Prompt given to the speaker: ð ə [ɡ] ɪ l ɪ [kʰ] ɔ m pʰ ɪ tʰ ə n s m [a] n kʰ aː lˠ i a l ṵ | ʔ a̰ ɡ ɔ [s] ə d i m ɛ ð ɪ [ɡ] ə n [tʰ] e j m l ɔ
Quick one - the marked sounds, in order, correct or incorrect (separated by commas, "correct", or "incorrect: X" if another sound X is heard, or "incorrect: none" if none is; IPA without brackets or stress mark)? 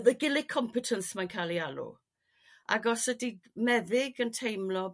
correct, correct, correct, correct, correct, correct